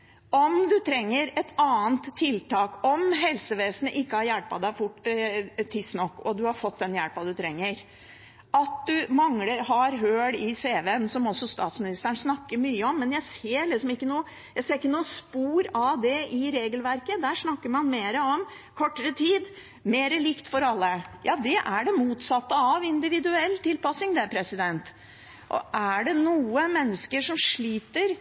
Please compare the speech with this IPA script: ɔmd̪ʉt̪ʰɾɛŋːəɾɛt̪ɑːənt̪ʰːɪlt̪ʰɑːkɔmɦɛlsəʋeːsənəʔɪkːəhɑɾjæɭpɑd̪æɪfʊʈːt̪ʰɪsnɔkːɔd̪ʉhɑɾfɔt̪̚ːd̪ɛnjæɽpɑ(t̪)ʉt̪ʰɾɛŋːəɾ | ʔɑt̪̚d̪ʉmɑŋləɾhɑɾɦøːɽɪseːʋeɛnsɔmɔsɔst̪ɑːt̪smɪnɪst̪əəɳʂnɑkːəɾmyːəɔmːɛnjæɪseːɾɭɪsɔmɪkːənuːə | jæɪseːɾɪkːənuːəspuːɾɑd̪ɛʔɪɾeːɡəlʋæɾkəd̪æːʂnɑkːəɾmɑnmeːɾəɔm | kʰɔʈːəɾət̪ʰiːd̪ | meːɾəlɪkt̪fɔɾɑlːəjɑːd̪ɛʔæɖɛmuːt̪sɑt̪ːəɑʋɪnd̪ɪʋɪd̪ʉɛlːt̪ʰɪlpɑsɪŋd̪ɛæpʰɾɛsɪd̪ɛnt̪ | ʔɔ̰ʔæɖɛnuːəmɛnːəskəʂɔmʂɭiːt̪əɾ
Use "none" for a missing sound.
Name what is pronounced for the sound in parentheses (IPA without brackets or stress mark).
d̪